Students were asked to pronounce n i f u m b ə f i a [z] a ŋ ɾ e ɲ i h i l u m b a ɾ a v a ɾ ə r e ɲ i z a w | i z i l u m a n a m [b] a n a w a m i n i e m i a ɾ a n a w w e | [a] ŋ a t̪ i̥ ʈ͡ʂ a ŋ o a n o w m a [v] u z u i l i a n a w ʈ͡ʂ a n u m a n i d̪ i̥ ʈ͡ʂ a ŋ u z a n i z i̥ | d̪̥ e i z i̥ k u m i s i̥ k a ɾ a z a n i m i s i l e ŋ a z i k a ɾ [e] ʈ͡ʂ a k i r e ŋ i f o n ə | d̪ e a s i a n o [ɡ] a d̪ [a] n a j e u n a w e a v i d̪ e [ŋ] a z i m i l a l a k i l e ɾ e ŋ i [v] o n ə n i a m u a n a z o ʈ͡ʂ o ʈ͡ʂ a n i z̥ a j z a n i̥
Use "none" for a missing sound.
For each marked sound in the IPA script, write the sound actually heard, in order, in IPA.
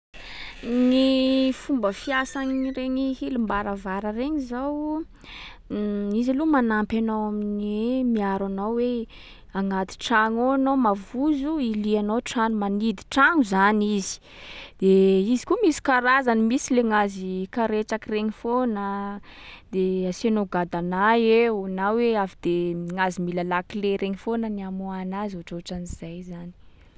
s, p, a, v, e, ɡ, a, ŋ, f

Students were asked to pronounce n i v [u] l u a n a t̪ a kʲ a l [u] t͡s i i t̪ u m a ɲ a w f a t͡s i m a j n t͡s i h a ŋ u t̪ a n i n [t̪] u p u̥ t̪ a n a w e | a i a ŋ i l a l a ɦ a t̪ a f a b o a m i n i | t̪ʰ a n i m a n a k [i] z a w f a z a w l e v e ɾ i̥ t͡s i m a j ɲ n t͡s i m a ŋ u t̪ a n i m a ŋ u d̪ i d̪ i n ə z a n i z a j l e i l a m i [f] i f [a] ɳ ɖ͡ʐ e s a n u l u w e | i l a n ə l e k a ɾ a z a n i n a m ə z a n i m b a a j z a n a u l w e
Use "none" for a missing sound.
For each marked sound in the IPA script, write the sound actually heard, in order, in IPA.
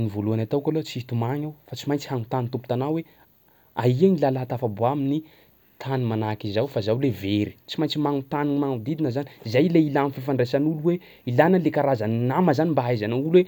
o, o, t̪, i, f, a

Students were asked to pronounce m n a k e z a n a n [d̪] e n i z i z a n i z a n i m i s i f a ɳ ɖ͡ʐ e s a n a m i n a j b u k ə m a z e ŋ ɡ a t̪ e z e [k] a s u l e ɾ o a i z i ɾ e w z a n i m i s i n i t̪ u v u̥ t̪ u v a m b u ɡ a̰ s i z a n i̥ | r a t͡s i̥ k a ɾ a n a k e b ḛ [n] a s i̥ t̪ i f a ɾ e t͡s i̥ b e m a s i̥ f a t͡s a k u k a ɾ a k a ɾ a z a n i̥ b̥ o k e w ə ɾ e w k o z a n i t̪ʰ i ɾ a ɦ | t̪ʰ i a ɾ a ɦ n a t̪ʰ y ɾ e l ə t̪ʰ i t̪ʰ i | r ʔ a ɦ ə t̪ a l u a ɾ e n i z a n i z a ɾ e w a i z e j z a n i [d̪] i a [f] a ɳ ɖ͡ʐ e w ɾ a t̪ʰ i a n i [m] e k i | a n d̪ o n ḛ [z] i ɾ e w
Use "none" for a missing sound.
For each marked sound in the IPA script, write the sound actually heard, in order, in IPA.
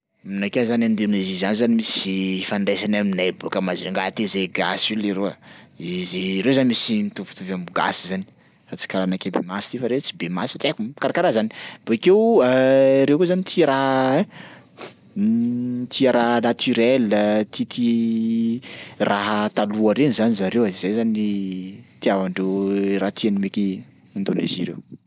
d̪, ɡ, m, t̪, v, m, z

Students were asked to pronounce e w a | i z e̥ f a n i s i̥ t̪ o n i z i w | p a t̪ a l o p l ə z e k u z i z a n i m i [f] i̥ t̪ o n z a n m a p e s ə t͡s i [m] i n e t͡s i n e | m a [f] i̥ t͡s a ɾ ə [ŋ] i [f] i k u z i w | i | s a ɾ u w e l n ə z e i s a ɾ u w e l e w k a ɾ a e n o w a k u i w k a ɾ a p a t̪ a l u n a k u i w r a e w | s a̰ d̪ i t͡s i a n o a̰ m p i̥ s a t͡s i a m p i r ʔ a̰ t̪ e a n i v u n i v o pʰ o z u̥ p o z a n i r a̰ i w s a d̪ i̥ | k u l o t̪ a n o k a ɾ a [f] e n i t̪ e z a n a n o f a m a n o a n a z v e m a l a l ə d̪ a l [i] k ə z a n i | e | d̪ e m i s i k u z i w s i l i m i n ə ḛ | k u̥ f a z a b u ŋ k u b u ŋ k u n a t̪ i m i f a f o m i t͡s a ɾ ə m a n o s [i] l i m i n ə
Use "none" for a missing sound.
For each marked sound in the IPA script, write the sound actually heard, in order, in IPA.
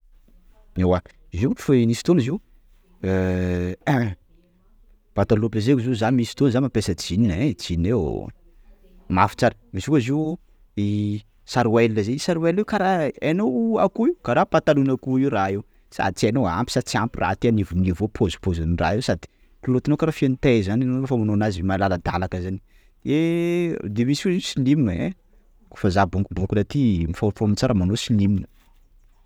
s, n, f, m, s, f, a, i

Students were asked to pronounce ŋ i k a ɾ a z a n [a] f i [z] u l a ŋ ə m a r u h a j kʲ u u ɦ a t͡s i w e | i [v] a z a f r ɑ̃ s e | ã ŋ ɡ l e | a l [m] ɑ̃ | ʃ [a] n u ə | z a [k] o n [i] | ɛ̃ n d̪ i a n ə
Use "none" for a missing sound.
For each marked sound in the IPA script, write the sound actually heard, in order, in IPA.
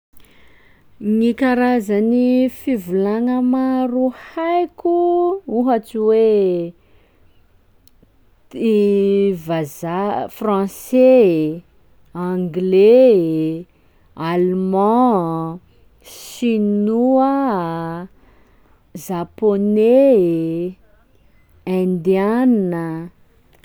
i, v, v, m, i, p, e

